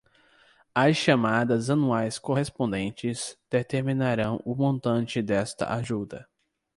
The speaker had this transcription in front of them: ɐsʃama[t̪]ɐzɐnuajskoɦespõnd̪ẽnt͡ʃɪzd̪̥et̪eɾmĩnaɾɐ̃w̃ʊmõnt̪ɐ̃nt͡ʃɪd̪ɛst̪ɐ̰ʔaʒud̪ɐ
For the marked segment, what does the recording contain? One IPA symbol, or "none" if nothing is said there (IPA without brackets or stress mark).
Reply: d̪